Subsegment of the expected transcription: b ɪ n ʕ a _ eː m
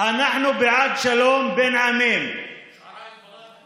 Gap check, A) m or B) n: A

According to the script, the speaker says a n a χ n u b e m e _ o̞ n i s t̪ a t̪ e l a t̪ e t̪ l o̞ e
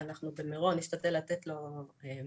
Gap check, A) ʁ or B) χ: A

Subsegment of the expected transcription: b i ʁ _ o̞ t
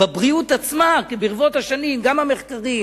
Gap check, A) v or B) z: A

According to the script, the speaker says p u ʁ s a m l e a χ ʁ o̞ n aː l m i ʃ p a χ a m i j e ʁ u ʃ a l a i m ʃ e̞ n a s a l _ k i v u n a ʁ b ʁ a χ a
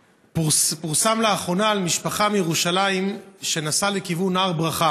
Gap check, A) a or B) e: B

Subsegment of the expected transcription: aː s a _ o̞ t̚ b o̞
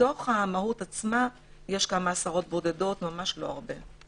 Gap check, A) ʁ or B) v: A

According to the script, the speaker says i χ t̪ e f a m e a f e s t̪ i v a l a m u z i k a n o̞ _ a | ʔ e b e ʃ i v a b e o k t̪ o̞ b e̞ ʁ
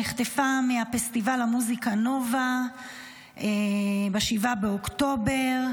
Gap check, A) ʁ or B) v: B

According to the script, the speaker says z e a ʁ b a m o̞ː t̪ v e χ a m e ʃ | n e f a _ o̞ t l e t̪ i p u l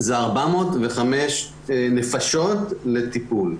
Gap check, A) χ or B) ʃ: B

